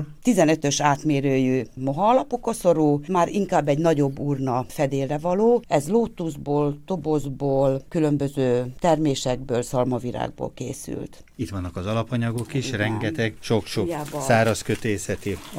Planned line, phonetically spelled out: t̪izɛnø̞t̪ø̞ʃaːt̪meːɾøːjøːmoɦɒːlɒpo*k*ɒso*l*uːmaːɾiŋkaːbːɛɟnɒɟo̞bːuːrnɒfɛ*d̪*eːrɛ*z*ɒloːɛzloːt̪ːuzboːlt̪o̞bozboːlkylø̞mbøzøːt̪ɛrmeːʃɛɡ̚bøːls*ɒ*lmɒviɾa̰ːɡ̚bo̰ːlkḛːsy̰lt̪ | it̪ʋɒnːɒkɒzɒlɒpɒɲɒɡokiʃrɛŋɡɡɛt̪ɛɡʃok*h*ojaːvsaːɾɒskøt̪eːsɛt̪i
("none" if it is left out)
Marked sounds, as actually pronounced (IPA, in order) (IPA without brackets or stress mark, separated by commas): k, ɾ, d̪, v, ɒ, ʃ